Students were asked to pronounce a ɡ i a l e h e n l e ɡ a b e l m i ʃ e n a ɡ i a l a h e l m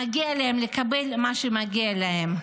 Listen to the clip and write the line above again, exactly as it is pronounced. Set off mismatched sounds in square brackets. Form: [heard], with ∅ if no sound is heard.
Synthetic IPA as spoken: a ɡ i a l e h e [m] l e [k] a b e l m [a] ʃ e [m] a ɡ i a l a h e [∅] m